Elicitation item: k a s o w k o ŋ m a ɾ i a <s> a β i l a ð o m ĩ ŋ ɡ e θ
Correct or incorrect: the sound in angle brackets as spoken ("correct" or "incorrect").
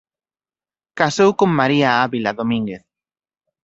incorrect